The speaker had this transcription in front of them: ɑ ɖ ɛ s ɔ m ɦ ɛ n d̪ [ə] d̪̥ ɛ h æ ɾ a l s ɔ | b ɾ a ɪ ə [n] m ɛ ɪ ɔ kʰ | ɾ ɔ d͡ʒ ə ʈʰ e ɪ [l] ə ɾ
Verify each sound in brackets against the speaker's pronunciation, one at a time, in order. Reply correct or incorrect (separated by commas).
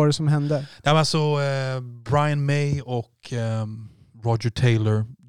correct, correct, correct